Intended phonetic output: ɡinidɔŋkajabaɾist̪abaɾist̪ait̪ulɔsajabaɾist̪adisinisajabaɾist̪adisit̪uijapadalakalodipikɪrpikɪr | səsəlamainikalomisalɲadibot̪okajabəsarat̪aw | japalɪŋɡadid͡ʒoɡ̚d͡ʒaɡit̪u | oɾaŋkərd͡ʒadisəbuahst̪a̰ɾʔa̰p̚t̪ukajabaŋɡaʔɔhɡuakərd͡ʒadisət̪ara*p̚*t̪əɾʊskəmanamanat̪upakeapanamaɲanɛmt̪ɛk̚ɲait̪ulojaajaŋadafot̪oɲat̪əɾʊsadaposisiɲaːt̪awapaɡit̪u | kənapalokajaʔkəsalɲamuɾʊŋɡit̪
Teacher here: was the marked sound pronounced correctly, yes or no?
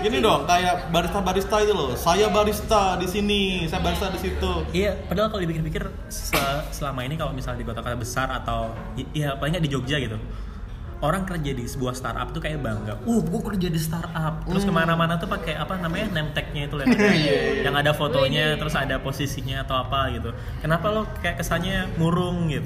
yes